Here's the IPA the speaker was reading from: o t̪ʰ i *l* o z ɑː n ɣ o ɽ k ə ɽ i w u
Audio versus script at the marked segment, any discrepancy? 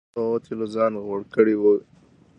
no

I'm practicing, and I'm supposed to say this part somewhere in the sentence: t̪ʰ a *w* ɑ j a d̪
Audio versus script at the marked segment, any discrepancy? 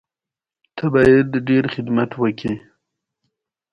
yes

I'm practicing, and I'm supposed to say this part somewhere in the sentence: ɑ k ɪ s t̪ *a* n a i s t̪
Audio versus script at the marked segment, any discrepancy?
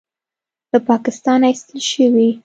yes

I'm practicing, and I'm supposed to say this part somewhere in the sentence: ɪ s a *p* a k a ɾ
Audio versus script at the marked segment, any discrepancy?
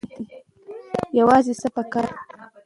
no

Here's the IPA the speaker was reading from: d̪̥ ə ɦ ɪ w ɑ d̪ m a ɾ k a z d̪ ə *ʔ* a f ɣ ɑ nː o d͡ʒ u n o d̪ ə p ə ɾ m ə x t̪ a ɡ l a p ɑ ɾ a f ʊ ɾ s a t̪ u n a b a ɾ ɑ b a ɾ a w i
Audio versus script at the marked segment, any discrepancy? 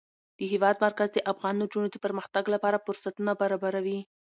no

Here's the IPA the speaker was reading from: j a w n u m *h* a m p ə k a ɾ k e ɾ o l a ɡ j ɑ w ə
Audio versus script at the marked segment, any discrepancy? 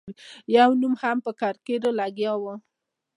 no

